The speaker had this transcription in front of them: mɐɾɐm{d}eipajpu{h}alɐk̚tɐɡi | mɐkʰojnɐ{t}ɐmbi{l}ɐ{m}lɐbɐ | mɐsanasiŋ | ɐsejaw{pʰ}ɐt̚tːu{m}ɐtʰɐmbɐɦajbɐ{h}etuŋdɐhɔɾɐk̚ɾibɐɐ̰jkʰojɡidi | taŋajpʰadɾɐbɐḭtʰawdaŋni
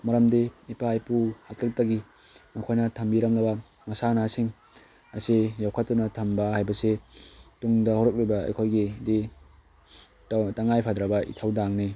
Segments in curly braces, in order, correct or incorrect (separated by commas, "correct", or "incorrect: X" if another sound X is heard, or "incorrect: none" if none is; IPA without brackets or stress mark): correct, correct, incorrect: tʰ, incorrect: ɾ, correct, incorrect: kʰ, incorrect: n, incorrect: s